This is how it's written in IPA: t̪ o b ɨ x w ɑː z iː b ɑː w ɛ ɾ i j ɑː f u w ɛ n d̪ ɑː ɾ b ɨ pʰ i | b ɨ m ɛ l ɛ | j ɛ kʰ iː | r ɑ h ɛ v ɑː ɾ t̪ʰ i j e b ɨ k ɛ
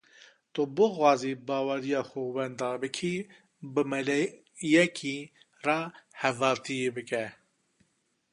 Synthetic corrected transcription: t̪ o b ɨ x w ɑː z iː b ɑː w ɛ ɾ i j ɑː x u w ɛ n d̪ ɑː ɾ b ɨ kʰ i | b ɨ m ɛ l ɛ | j ɛ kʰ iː | r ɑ h ɛ v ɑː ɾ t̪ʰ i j e b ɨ k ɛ